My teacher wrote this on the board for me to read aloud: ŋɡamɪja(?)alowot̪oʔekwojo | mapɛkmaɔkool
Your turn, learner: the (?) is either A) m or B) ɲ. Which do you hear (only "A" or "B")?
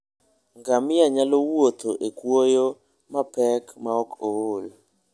B